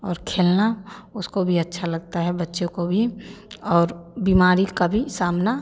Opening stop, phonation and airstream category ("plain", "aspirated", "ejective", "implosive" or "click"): aspirated